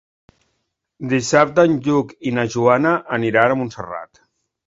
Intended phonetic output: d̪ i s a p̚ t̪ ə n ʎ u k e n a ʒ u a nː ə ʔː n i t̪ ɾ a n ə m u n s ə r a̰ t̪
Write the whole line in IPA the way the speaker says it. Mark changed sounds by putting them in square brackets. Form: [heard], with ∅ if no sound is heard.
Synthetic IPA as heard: d̪ i s a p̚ t̪ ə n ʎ u k [i] n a ʒ u a [n] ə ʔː n i [∅] ɾ a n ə m u n s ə r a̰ t̪